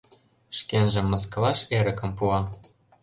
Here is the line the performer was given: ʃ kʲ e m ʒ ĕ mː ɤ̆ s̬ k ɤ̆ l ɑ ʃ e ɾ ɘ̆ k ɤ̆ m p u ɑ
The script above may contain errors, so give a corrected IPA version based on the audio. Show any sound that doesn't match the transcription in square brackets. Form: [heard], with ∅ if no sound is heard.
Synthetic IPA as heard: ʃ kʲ e [n] ʒ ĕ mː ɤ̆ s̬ k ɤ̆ l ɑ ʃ e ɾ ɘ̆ k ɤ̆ m p u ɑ